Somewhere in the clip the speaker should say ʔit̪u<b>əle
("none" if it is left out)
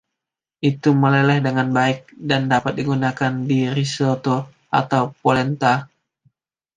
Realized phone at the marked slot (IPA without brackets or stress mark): m